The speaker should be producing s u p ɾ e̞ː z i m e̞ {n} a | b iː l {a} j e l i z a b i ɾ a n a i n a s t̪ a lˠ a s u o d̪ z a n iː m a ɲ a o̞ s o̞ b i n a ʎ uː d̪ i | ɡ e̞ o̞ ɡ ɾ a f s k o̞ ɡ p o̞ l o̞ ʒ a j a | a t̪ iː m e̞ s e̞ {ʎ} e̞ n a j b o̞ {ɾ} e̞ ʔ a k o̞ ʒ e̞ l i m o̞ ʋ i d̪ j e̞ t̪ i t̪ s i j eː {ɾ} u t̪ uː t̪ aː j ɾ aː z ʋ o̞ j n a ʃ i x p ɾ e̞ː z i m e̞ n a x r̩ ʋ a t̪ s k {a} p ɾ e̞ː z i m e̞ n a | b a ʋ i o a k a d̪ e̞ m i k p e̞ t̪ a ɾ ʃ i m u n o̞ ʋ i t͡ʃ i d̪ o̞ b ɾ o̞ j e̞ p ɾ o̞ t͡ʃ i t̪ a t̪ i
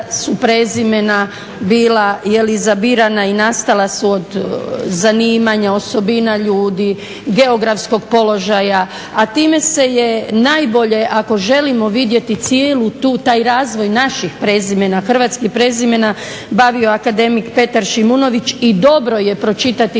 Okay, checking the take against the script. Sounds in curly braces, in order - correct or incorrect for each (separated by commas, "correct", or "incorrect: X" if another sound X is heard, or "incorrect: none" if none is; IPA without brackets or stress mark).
correct, correct, incorrect: j, incorrect: ʎ, incorrect: l, incorrect: i